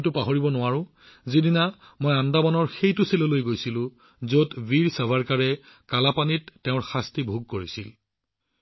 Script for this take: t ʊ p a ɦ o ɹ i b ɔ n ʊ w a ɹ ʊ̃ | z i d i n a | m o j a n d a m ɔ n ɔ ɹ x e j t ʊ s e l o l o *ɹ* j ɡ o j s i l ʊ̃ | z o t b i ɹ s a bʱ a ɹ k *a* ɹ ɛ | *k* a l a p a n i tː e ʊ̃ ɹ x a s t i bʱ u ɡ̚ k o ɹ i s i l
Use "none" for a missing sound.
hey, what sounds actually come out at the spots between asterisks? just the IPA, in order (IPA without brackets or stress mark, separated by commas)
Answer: none, a, k